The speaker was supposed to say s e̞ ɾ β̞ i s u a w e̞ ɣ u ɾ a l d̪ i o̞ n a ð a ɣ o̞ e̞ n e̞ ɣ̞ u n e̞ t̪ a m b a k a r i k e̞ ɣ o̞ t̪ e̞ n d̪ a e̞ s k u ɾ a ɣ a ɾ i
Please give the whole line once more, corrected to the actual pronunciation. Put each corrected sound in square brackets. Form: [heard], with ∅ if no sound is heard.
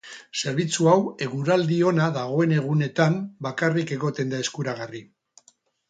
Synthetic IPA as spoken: s e̞ ɾ β̞ i [t͡s] u a w e̞ ɣ u ɾ a l d̪ i o̞ n a ð a ɣ o̞ e̞ n e̞ ɣ̞ u n e̞ t̪ a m b a k a r i k e̞ ɣ o̞ t̪ e̞ n d̪ a e̞ s k u ɾ a ɣ a [r] i